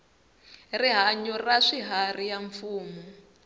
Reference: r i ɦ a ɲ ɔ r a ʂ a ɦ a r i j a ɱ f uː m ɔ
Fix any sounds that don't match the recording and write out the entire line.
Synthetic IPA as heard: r i ɦ a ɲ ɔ r a ʂ i ɦ a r i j a ɱ f uː m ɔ